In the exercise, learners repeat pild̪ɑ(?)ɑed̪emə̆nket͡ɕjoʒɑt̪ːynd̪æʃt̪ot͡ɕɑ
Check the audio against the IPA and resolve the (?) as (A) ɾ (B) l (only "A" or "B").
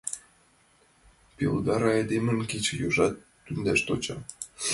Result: A